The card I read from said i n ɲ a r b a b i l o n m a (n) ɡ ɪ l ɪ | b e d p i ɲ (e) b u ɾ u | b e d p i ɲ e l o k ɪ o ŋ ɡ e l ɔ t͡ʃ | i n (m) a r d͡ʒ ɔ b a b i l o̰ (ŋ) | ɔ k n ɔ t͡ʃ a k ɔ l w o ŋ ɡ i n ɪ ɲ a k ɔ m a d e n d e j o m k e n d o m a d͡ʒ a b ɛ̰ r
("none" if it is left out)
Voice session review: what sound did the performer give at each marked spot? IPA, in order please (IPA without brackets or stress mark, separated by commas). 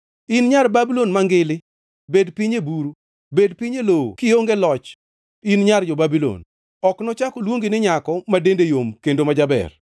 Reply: ŋ, e, ɲ, n